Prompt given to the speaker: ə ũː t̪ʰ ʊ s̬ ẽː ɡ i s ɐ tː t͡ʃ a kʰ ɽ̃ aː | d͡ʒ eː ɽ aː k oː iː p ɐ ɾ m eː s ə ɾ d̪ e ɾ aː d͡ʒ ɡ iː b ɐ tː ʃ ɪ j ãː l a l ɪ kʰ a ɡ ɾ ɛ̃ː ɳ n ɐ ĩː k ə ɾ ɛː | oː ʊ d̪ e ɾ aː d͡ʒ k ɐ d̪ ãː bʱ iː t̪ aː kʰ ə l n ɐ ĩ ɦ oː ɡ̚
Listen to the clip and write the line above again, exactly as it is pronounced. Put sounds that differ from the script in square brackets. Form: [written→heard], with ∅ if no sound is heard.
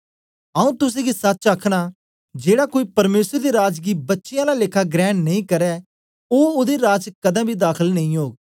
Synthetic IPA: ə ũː [t̪ʰ→t̪] ʊ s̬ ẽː ɡ i s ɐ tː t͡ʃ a kʰ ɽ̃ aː | d͡ʒ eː ɽ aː k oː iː p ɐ ɾ m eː s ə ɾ d̪ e ɾ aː d͡ʒ ɡ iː b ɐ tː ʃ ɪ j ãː l a l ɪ kʰ a ɡ ɾ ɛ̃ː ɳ n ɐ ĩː k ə ɾ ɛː | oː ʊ d̪ e ɾ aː d͡ʒ k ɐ d̪ ãː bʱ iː [t̪→d̪] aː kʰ ə l n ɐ ĩ ɦ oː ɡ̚